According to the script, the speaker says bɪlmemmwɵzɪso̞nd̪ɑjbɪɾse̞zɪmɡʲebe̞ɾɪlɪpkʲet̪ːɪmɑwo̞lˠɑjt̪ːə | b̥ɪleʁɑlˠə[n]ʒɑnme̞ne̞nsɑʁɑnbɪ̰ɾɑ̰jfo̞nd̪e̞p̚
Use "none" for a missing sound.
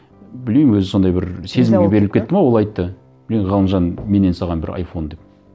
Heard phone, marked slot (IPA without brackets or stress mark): n